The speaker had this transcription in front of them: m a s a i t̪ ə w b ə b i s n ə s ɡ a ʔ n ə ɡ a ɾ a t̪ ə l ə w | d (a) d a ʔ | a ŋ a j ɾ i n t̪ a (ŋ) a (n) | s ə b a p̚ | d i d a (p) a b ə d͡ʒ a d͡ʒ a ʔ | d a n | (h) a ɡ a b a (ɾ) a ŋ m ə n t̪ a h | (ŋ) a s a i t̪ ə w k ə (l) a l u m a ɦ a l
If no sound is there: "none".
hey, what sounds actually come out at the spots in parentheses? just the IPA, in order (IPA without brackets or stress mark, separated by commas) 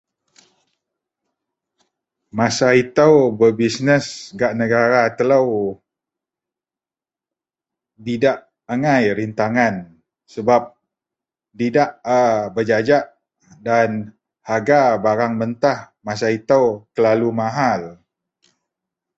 i, ŋ, n, ʔ, h, ɾ, m, l